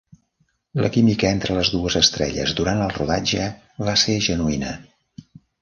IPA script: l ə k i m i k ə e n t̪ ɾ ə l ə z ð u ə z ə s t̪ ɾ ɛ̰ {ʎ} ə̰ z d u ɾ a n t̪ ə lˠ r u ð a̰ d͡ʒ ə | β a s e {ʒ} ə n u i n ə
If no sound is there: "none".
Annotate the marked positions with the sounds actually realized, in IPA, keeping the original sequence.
ʎ, ʒ

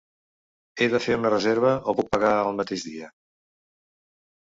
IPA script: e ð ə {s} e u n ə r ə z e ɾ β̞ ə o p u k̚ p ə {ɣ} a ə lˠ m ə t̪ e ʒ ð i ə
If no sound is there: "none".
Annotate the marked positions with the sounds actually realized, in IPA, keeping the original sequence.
f, ɣ

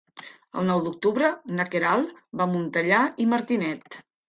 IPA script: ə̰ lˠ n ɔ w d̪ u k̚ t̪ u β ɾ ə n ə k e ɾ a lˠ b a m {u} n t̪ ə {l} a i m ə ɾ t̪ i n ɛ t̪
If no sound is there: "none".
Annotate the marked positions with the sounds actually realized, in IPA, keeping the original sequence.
u, ʎ

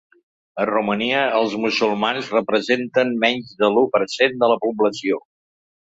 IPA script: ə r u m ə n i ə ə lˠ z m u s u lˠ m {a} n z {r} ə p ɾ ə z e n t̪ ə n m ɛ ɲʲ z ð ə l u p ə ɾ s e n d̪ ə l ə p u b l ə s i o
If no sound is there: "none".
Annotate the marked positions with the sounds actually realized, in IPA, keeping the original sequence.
a, r

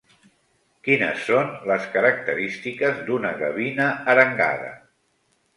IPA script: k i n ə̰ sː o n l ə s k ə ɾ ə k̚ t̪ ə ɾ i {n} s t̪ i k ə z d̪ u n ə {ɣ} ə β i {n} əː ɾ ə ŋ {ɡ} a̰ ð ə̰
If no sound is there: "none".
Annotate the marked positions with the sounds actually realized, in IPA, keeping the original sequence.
none, ɣ, n, ɡ

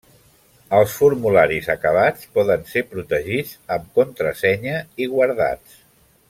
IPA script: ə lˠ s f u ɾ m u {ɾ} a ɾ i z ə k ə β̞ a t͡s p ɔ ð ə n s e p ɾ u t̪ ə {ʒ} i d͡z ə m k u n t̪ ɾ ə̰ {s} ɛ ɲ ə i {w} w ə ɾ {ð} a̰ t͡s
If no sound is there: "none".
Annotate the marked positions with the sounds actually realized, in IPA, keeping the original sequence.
l, ʒ, s, ɣ, ð

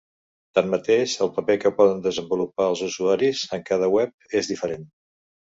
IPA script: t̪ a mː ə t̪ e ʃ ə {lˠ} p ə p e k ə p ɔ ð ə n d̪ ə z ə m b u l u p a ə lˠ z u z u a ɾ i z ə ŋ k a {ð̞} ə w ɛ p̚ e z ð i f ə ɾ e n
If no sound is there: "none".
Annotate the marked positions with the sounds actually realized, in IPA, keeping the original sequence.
lˠ, ð̞

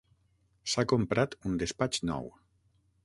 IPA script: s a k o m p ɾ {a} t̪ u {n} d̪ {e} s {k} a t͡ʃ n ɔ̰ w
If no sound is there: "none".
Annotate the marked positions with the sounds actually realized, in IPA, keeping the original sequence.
a, n, e, p

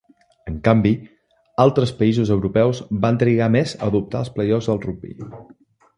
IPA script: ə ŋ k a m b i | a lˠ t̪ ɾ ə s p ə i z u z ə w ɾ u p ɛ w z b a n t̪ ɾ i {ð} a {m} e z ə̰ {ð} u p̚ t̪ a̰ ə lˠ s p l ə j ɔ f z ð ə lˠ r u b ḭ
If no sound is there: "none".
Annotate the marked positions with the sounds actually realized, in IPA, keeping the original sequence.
ɣ, m, ð

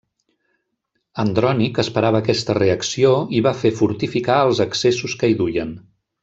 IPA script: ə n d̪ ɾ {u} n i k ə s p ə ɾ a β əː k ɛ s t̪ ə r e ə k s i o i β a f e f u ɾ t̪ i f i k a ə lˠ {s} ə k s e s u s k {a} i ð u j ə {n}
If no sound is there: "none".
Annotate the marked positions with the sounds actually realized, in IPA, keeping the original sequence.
ɔ, z, ə, n

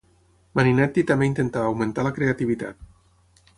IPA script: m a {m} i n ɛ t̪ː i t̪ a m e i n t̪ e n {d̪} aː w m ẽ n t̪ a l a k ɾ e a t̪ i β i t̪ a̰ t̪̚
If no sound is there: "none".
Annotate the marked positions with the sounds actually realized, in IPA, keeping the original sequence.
n, t̪

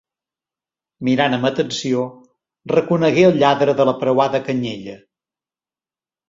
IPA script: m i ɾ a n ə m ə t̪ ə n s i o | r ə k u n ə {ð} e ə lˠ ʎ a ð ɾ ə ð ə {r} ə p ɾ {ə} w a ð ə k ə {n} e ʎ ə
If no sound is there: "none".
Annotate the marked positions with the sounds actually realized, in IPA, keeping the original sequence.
ɣ, l, ə, ɲ

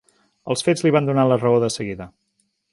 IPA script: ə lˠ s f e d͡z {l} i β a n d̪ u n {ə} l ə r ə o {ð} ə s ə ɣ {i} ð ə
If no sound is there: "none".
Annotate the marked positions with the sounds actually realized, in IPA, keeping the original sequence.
l, a, ð, i

